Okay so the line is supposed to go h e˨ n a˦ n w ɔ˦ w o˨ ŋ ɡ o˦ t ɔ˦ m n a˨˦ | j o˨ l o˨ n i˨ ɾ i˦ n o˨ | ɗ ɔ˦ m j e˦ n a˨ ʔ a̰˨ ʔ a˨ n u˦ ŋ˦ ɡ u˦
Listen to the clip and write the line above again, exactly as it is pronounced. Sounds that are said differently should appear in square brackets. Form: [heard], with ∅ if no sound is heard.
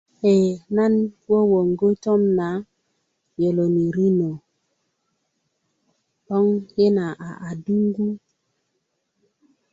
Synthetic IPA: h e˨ n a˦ n w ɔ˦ w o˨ ŋ ɡ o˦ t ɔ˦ m n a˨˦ | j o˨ l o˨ n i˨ ɾ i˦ n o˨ | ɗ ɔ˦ [ŋ] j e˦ n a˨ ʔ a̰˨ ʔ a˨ [d] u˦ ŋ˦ ɡ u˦